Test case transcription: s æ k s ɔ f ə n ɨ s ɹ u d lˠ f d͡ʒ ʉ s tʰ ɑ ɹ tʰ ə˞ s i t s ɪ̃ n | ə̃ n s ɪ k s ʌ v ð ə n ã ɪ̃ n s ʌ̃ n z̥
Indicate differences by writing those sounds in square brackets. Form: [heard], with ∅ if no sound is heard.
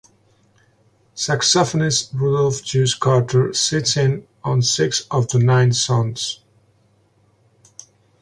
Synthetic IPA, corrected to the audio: s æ k s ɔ f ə n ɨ s ɹ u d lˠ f d͡ʒ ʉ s [kʰ] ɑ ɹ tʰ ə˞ s [ɪ] t s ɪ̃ n | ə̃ n s ɪ k s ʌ v ð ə n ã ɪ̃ n s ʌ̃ n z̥

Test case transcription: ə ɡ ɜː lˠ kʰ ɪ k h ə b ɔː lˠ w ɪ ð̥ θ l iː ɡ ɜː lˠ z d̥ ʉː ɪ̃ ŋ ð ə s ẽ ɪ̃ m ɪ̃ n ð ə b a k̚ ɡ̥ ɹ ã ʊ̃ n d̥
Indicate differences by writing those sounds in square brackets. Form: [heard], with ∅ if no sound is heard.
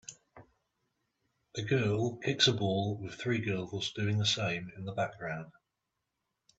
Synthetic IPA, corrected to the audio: ə ɡ ɜː lˠ kʰ ɪ k [s] ə b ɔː lˠ w ɪ ð̥ θ [ɹ] iː ɡ ɜː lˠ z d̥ ʉː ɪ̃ ŋ ð ə s ẽ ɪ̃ m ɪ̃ n ð ə b a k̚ ɡ̥ ɹ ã ʊ̃ n d̥

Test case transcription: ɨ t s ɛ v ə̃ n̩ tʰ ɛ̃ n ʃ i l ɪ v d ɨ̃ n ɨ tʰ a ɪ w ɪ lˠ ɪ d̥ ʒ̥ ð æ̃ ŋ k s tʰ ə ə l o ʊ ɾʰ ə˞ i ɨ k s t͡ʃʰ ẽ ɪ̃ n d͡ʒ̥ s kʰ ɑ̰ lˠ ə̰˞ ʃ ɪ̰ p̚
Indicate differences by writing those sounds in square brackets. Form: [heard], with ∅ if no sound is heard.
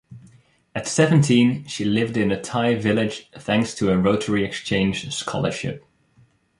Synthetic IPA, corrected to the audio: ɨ t s ɛ v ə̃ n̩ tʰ [ĩ] n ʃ i l ɪ v d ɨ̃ n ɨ tʰ a ɪ [v] ɪ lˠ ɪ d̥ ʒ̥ [θ] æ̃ ŋ k s tʰ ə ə [ɹ] o ʊ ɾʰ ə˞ i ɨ k s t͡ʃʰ ẽ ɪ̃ n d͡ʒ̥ s kʰ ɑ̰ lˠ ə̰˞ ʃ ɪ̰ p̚

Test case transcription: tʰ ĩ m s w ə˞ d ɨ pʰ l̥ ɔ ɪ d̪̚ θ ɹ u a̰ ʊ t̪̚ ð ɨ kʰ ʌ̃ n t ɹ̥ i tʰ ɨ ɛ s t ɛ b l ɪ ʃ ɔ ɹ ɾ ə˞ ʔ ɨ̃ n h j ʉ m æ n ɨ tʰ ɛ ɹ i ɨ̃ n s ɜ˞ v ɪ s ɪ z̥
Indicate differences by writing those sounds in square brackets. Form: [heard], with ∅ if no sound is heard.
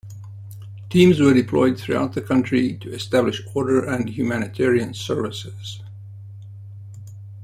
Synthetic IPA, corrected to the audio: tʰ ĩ m [z] w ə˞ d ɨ pʰ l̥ ɔ ɪ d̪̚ θ ɹ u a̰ ʊ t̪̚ ð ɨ kʰ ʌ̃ n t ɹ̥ i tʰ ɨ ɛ s t [æ] b l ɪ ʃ ɔ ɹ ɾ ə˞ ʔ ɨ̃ n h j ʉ m æ n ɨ tʰ ɛ ɹ i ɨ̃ n s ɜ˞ v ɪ s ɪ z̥

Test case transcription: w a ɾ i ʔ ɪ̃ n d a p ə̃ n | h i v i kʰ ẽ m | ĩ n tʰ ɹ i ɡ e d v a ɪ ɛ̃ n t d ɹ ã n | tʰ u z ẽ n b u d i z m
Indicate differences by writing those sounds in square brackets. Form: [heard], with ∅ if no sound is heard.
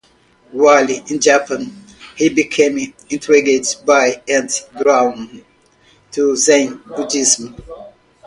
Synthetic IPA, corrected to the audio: w a [l] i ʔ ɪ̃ n [d͡ʒ] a p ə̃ n | h i [b] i kʰ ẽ m | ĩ n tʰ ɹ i ɡ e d [b] a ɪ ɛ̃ n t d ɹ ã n | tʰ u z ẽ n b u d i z m

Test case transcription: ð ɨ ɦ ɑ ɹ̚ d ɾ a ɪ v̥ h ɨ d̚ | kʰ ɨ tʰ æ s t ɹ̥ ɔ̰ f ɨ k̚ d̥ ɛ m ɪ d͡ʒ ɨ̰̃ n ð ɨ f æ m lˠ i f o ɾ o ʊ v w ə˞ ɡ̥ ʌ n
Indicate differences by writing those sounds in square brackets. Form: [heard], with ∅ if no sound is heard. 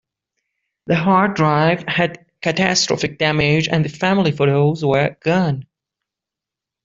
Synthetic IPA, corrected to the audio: ð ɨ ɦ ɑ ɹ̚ d [ɹ] a ɪ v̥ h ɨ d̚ | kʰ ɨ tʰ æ s t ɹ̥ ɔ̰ f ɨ k̚ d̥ [æ] m ɪ d͡ʒ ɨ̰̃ n ð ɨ f æ m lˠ i f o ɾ o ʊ [z] w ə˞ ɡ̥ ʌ n

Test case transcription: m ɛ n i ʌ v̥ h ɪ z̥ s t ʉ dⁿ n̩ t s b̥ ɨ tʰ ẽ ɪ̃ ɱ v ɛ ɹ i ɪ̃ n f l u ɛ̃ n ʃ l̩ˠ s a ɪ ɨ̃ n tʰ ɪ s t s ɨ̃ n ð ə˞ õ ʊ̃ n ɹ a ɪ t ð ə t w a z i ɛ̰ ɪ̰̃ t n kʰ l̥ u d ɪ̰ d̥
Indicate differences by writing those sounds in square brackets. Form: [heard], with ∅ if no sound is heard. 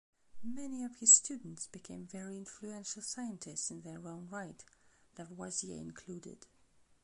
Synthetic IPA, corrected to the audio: m ɛ n i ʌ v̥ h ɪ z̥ s t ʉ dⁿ n̩ t s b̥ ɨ [kʰ] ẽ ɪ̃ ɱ v ɛ ɹ i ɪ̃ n f l u ɛ̃ n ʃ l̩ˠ s a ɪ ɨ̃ n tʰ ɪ s t s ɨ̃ n ð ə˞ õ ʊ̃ n ɹ a ɪ t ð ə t w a z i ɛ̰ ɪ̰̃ [∅] n kʰ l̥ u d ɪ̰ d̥

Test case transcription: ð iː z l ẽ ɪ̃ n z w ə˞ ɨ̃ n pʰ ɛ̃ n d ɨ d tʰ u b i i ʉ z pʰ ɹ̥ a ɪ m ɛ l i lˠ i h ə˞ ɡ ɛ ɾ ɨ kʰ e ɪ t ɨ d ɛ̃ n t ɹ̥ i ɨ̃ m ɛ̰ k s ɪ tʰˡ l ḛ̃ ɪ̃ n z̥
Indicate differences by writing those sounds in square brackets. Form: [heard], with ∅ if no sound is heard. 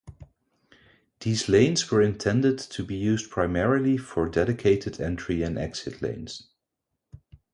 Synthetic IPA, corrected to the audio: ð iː z l ẽ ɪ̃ n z w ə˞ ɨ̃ n [tʰ] ɛ̃ n d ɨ d tʰ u b i [j] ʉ z pʰ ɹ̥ a ɪ m ɛ [ɹ] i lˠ i [f] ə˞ [d] ɛ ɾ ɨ kʰ e ɪ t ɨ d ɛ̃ n t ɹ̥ i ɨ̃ [n] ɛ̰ k s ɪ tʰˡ l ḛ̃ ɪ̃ n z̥

